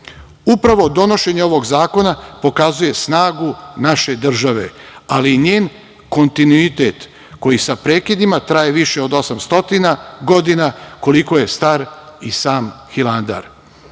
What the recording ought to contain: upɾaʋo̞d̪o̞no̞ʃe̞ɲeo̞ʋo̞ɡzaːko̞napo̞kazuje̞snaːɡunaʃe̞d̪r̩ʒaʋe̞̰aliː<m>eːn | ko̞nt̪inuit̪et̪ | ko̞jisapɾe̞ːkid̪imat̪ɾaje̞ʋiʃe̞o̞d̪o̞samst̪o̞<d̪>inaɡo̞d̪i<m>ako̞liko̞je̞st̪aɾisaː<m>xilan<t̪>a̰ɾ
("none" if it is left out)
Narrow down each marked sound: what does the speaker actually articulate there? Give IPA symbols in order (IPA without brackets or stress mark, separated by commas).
ɲ, t̪, n, m, d̪